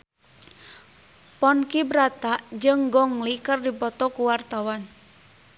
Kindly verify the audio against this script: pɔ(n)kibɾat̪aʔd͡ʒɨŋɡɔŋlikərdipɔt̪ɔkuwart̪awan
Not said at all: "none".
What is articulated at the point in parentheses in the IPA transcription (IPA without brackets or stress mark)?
n